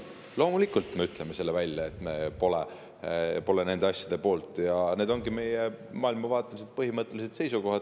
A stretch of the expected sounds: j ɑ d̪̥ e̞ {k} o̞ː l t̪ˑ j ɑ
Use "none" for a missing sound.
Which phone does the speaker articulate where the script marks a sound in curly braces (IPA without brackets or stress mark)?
p